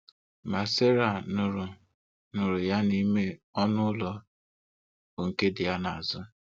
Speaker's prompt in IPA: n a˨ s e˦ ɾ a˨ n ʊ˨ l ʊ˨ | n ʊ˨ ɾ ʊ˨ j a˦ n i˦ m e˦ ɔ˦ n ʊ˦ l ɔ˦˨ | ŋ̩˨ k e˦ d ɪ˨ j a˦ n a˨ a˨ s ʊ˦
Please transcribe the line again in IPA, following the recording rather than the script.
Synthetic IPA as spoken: m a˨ s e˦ ɾ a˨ n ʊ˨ ɾ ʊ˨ | n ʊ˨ ɾ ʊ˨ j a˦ n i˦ m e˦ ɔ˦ n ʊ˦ l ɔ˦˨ | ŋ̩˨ k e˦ d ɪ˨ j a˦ n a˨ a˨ z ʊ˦